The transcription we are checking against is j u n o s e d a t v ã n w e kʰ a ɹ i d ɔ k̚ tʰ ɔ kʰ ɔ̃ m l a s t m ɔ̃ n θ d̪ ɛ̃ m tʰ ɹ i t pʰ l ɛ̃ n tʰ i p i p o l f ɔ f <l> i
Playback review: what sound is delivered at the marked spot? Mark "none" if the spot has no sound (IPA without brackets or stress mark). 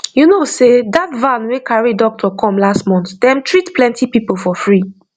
ɹ